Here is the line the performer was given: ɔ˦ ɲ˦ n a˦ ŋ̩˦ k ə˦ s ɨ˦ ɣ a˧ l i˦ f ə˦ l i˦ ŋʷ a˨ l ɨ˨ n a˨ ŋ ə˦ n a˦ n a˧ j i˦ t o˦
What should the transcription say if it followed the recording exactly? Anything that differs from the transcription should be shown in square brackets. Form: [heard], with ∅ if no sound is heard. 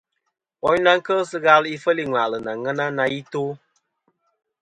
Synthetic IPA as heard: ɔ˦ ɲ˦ n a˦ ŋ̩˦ k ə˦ s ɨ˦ ɣ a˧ l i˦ f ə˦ l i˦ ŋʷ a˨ l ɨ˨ n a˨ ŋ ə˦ n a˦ n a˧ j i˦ t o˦